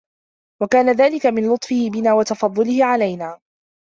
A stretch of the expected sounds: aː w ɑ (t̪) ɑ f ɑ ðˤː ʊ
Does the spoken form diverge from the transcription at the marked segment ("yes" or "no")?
no